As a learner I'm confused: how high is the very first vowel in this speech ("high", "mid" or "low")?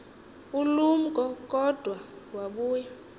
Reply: high